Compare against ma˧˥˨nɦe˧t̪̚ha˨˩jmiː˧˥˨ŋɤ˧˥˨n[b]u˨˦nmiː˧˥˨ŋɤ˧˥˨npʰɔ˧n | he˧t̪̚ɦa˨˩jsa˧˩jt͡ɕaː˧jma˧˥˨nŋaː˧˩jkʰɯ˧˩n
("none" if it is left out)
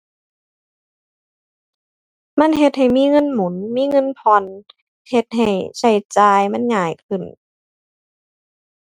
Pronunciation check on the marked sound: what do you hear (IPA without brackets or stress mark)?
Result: m